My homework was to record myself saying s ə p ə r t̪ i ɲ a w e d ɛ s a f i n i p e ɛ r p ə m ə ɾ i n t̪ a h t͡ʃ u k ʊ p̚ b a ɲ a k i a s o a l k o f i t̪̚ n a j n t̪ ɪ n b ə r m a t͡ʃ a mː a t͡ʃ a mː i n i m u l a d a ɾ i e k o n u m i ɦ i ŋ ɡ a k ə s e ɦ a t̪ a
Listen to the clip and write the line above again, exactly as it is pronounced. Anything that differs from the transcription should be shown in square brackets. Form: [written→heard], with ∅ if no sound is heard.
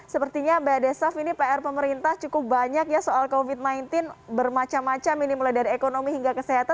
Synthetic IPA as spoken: s ə p ə r t̪ i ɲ a [w→b] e d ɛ s a f i n i p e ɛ r p ə m ə ɾ i n t̪ a h t͡ʃ u k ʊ p̚ b a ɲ a k [i→j] a s o a l k o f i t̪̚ n a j n t̪ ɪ n b ə r m a t͡ʃ a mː a t͡ʃ a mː i n i m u l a d a ɾ i e k o n [u→o] m i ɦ i ŋ ɡ a k ə s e ɦ a t̪ a

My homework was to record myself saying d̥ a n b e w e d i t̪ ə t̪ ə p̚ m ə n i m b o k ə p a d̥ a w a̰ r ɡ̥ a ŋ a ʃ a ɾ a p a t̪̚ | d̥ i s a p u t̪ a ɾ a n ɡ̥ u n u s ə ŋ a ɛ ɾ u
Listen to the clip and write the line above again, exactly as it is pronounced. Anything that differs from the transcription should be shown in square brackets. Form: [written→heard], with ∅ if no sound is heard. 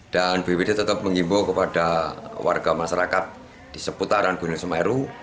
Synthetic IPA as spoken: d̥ a n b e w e d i t̪ ə t̪ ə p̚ m ə [n→ŋ] i m b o k ə p a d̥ a w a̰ r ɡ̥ a [ŋ→m] a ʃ a ɾ a [p→k] a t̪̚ | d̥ i s [a→ə] p u t̪ a ɾ a n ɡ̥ u n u s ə [ŋ→m] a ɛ ɾ u

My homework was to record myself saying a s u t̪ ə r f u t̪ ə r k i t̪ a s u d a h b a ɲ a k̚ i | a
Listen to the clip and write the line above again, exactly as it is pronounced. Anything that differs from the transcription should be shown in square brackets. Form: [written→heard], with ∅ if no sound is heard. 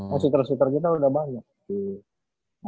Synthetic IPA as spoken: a s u t̪ ə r [f→s] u t̪ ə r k i t̪ a [s→∅] u d a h b a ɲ a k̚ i | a

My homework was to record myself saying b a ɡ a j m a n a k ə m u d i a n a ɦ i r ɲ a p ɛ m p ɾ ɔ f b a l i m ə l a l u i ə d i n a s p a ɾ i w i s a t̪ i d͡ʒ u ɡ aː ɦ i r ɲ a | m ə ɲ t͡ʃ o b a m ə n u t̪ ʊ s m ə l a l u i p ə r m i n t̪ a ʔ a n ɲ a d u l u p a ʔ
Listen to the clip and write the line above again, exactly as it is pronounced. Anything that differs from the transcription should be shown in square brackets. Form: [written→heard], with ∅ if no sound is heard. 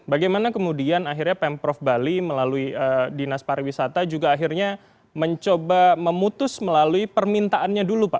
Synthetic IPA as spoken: b a ɡ a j m a n a k ə m u d i a n a ɦ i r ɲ a p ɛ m p ɾ ɔ f b a l i m ə l a l u i ə d i n a s p a ɾ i w i s a t̪ [i→a] d͡ʒ u ɡ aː ɦ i r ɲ a | m ə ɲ t͡ʃ o b a m ə [n→m] u t̪ ʊ s m ə l a l u i p ə r m i n t̪ a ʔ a n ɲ a d u l u p a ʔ

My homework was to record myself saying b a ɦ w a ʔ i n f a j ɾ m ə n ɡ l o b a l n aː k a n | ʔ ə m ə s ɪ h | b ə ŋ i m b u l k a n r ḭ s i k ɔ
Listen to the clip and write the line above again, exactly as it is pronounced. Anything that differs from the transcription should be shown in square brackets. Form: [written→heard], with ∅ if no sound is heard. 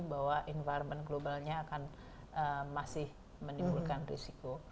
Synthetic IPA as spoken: b a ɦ w a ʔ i n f a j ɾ m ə n ɡ l o b a l [n→ɲ] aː k a n | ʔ ə m [ə→a] s ɪ h | [b→m] ə [ŋ→n] i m b u l k a n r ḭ s i k [ɔ→o]

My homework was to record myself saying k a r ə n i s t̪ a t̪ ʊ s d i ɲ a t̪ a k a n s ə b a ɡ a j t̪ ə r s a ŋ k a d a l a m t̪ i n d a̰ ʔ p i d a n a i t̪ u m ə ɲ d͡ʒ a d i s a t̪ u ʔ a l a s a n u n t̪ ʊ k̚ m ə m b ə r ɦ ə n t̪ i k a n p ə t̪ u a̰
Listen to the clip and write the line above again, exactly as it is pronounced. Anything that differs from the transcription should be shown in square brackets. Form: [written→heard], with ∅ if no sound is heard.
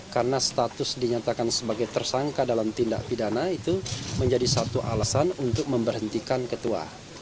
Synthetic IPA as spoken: k a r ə n [i→a] s t̪ a t̪ ʊ s d i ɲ a t̪ a k a n s ə b a ɡ a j t̪ ə r s a ŋ k a d a l a m t̪ i n d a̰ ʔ p i d a n a i t̪ u m ə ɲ d͡ʒ a d i s a t̪ u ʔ a l a s a n u n t̪ ʊ k̚ m ə m b ə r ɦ ə n t̪ i k a n [p→k] ə t̪ u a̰

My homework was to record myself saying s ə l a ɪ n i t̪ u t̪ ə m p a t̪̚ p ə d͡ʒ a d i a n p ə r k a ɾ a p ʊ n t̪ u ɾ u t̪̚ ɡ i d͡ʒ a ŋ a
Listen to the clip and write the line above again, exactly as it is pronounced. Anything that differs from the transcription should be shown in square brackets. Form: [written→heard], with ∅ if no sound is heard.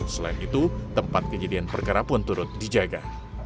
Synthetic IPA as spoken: s ə l a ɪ n i t̪ u t̪ ə m p a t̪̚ [p→k] ə d͡ʒ a d i a n p ə r k a ɾ a p ʊ n t̪ u ɾ [u→ʊ] t̪̚ [ɡ→d] i d͡ʒ a [ŋ→ɡ] a

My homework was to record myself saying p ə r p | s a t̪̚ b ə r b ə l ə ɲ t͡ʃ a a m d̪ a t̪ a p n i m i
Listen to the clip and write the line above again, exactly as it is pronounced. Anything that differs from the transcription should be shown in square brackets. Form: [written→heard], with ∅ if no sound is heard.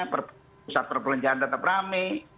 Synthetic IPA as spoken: p ə r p | s a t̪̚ [b→p] ə r [b→p] ə l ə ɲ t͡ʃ a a [m→n] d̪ a t̪ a p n [i→a] m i

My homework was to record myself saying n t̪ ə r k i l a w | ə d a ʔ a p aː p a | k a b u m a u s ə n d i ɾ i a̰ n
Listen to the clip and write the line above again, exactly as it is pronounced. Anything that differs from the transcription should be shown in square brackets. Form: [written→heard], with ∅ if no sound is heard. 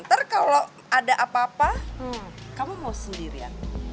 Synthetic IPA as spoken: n t̪ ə r k [i→a] l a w | [ə→a] d a ʔ a p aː p a | k a [b→m] u m a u s ə n d i ɾ i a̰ n

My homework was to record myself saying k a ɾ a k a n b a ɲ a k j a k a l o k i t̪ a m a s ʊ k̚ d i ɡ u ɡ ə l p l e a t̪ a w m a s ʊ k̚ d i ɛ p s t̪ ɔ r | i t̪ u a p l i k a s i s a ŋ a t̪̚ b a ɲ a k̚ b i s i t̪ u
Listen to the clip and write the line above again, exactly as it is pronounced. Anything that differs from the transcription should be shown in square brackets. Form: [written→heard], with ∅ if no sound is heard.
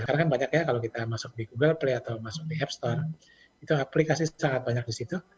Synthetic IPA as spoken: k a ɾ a k a n b a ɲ a k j a k a l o k i t̪ a m a s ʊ k̚ d i ɡ u ɡ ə l p l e a t̪ a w m a s ʊ k̚ d i ɛ p s t̪ ɔ r | i t̪ u a p l i k a s i s a ŋ a t̪̚ b a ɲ a k̚ [b→d] i s i t̪ u

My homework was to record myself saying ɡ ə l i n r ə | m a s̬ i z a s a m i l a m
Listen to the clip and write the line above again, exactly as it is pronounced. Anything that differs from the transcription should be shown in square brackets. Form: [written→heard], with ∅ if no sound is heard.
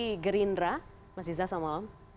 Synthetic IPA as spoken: ɡ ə [l→ɾ] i n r [ə→a] | m a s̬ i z a s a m [i→a] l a m

